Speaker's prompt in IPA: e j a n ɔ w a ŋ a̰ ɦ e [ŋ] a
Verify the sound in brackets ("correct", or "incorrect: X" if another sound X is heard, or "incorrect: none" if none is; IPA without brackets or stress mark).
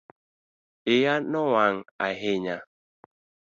incorrect: ɲ